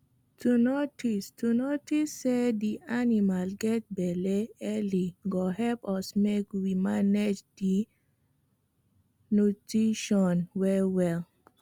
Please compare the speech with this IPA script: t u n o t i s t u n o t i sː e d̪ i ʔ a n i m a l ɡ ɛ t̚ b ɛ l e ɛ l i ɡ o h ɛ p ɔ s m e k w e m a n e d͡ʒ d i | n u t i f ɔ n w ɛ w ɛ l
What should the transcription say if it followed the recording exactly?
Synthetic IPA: t u n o t i s t u n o t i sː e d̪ i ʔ a n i m a l ɡ ɛ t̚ b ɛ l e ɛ l i ɡ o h ɛ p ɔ s m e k w i m a n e d͡ʒ d i | n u t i ʃ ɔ n w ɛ w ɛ l